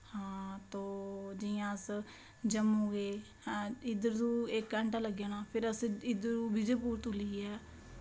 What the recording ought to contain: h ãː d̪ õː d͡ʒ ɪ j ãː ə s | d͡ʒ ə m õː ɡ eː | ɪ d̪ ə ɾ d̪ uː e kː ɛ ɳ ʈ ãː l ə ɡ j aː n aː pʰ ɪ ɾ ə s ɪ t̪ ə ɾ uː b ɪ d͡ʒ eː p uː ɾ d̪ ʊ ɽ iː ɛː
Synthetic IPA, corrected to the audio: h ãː t̪ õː d͡ʒ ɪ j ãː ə s | d͡ʒ ə m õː ɡ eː | ɪ d̪ ə ɾ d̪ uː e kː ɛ ɳ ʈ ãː l ə ɡ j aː n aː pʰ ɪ ɾ ə s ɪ d̪ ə ɾ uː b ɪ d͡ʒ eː p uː ɾ t̪ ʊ l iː ɛː